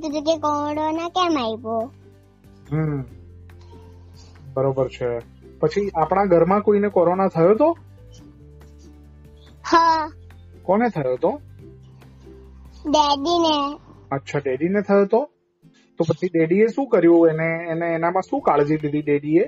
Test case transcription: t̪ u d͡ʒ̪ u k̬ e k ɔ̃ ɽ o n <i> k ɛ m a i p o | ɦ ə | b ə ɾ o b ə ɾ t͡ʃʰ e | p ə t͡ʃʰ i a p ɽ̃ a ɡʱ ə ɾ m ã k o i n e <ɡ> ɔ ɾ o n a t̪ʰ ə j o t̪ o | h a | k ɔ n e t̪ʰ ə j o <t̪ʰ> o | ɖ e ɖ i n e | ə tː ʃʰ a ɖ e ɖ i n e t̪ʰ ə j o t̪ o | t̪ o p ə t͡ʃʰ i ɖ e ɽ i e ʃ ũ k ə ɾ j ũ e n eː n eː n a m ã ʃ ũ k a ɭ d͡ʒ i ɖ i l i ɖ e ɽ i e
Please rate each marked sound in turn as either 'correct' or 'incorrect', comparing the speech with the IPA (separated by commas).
incorrect, incorrect, incorrect